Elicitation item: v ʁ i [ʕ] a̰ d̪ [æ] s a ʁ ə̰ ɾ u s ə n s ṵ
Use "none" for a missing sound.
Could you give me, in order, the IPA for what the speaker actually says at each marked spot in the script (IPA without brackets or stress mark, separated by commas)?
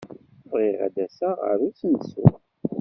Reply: ʁ, æ